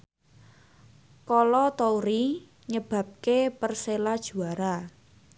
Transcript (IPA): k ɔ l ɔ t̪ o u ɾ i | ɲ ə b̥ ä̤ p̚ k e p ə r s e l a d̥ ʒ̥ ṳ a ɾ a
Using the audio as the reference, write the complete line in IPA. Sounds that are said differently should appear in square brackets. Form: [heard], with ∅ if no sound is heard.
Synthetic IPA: k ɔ l ɔ t̪ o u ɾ i | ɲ ə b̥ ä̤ p̚ k e p ə r s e l a d̥ ʒ̥ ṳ a ɾ a